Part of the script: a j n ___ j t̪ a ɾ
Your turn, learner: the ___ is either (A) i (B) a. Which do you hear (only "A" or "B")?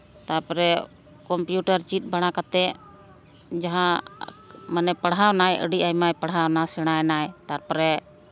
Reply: B